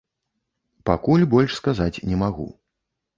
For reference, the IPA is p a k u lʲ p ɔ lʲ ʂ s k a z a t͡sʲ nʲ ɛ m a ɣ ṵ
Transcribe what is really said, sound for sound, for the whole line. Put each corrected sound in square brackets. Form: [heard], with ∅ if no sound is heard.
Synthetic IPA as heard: p a k u lʲ [b] ɔ lʲ ʂ s k a z a t͡sʲ nʲ ɛ m a ɣ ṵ